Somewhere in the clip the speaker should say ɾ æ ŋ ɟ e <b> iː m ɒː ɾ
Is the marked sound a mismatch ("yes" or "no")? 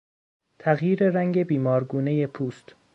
no